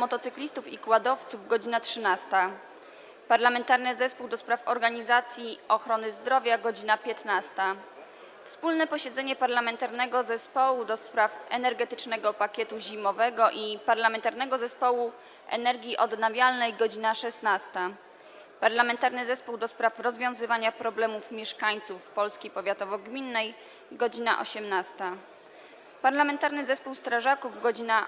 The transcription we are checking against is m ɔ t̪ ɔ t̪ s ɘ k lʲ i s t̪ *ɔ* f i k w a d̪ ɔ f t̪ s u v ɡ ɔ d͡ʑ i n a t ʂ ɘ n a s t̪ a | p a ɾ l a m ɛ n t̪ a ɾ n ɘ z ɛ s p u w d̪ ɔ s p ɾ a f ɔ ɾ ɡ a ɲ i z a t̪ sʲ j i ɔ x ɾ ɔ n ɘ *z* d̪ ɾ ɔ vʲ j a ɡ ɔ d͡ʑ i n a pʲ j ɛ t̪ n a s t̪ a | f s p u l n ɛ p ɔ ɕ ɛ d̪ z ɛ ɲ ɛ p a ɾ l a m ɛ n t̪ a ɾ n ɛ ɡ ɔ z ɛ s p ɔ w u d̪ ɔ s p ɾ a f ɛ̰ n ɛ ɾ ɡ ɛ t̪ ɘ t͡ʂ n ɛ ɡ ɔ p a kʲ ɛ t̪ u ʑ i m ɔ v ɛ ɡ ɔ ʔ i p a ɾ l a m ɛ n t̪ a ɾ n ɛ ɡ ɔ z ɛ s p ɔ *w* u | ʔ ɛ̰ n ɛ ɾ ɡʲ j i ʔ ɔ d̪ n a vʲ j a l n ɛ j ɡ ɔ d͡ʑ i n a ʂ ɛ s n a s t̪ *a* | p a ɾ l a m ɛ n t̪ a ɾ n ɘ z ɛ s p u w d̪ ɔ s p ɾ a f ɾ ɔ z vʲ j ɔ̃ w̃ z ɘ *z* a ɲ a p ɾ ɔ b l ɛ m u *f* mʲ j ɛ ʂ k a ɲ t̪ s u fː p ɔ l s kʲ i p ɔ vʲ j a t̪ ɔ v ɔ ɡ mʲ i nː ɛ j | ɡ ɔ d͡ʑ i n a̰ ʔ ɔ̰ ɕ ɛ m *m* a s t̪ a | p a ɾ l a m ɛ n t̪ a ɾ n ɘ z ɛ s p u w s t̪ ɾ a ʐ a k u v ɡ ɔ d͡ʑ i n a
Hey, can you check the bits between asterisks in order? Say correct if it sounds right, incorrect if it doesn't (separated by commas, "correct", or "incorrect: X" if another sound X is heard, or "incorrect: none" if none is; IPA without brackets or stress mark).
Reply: incorrect: u, correct, correct, correct, incorrect: v, correct, incorrect: n